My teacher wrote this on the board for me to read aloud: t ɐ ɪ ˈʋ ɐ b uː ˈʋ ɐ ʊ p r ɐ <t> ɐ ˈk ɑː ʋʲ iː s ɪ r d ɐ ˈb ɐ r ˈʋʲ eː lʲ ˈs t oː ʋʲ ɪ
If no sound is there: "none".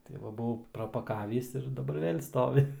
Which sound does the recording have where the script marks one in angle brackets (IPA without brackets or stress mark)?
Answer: p